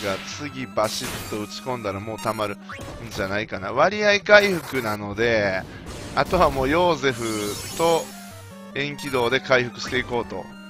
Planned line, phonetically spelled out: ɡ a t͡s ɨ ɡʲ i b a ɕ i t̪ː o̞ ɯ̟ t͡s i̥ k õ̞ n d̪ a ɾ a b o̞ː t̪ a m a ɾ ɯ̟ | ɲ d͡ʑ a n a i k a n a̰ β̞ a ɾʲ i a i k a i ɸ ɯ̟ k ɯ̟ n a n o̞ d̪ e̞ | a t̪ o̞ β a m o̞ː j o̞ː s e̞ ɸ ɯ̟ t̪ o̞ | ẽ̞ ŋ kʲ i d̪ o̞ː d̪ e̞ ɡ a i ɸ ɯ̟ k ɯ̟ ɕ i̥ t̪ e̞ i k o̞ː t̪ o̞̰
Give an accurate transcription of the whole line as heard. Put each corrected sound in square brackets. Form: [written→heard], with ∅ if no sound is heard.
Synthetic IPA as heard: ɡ a t͡s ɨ ɡʲ i b a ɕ i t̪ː o̞ ɯ̟ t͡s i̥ k õ̞ n d̪ a ɾ a [b→m] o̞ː t̪ a m a ɾ ɯ̟ | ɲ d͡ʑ a n a i k a n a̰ β̞ a ɾʲ i a i k a i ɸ ɯ̟ k ɯ̟ n a n o̞ d̪ e̞ | a t̪ o̞ β a m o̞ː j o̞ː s e̞ ɸ ɯ̟ t̪ o̞ | ẽ̞ ŋ kʲ i d̪ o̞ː d̪ e̞ [ɡ→k] a i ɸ ɯ̟ k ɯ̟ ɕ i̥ t̪ e̞ i k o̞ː t̪ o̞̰

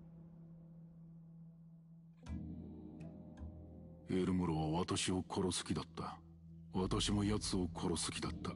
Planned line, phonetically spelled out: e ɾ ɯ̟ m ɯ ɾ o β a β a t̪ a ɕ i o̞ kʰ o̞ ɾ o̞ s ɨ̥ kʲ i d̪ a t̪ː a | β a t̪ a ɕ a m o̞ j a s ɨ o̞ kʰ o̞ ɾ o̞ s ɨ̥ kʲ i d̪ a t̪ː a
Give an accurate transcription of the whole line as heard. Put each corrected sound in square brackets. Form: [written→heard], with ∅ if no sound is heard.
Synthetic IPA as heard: e ɾ ɯ̟ m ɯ ɾ o β a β a t̪ a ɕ i o̞ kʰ o̞ ɾ o̞ s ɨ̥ kʲ i d̪ a t̪ː a | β a t̪ a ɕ [a→i] m o̞ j a [s→t͡s] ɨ o̞ kʰ o̞ ɾ o̞ s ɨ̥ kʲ i d̪ a t̪ː a

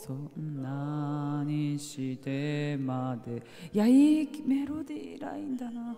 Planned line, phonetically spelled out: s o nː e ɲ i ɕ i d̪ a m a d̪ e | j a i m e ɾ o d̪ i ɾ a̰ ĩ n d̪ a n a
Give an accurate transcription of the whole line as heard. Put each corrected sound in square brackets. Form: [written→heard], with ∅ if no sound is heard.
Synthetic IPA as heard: s o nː [e→a] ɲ i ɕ i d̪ [a→e] m a d̪ e | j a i m e ɾ o d̪ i ɾ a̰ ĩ n d̪ a n a

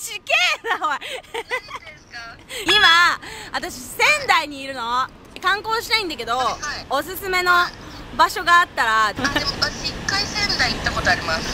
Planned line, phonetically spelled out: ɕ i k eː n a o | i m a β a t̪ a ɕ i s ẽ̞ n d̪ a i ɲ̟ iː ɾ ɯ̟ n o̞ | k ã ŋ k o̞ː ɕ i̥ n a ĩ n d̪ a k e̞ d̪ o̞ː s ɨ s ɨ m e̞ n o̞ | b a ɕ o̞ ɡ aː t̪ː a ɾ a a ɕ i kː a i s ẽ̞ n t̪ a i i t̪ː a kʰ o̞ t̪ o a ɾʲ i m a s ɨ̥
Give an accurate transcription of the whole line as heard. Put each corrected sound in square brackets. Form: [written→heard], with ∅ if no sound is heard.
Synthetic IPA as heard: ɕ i k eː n a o | i m a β a t̪ a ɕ i s ẽ̞ n d̪ a i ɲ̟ iː ɾ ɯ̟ n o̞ | k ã ŋ k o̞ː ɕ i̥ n a ĩ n d̪ a k e̞ d̪ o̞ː s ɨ s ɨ m e̞ n o̞ | b a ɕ o̞ ɡ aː t̪ː a ɾ a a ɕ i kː a i s ẽ̞ n [t̪→d̪] a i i t̪ː a [kʰ→k] o̞ t̪ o a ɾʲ i m a s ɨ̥

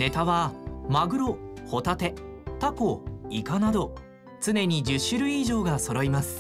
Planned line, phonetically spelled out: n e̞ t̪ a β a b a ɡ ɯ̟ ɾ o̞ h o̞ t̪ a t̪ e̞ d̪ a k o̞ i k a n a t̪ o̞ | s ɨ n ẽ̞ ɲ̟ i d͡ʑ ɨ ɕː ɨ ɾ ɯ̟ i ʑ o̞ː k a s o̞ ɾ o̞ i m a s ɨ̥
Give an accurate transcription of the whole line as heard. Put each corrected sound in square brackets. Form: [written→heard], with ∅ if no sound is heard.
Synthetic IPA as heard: n e̞ t̪ a β a [b→m] a ɡ ɯ̟ ɾ o̞ h o̞ t̪ a t̪ e̞ [d̪→t̪] a k o̞ i k a n a [t̪→d̪] o̞ | [s→t͡s] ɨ n [ẽ̞→e̞] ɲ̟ i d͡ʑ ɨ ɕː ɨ ɾ ɯ̟ i ʑ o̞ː [k→ɡ] a s o̞ ɾ o̞ i m a s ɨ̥

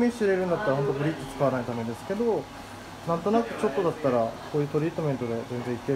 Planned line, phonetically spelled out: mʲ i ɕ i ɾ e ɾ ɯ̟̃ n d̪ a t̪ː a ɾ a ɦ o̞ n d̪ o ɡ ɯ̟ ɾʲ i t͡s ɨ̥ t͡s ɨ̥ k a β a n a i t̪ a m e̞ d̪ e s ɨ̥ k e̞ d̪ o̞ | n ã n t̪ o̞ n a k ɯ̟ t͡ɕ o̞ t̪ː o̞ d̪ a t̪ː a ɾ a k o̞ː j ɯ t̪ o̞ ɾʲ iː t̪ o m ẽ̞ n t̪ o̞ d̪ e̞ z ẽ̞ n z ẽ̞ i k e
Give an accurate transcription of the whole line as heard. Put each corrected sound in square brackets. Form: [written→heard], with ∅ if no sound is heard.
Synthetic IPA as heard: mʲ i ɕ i ɾ e ɾ ɯ̟̃ n d̪ a t̪ː a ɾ a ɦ o̞ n [d̪→t̪] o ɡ ɯ̟ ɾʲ i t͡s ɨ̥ t͡s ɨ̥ k a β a n a i t̪ a m e̞ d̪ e s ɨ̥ k e̞ d̪ o̞ | n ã n t̪ o̞ n a k ɯ̟ t͡ɕ o̞ t̪ː o̞ d̪ a t̪ː a ɾ a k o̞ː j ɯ t̪ o̞ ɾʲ iː t̪ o m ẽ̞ n t̪ o̞ d̪ e̞ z ẽ̞ n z ẽ̞ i k e

